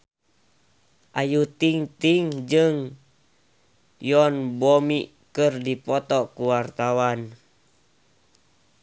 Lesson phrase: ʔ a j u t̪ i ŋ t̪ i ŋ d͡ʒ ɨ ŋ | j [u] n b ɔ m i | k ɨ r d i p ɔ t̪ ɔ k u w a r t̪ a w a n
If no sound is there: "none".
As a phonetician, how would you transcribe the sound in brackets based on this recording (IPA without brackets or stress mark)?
ɔ